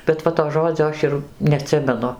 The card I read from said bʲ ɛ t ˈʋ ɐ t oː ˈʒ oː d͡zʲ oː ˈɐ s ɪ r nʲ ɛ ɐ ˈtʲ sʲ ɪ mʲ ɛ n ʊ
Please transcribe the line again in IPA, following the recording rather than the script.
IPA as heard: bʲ ɛ t ˈʋ ɐ t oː ˈʒ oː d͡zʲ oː ˈɐ ʃ ɪ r nʲ ɛ ɐ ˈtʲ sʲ ɪ mʲ ɛ n ʊ